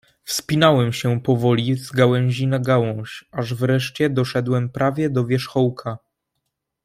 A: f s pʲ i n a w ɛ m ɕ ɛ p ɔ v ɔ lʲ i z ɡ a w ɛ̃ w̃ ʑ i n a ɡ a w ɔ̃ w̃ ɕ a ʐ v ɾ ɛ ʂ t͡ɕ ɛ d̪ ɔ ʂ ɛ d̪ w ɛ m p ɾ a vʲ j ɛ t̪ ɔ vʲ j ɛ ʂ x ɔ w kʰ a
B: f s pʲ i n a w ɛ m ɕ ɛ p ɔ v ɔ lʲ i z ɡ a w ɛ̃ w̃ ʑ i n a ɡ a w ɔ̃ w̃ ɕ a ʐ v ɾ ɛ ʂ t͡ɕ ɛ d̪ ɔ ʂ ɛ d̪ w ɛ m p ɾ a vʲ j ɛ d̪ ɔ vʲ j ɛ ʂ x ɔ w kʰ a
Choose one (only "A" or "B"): B